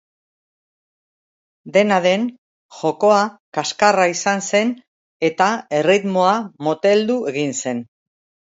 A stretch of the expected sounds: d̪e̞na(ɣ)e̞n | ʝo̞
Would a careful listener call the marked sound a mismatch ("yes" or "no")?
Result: yes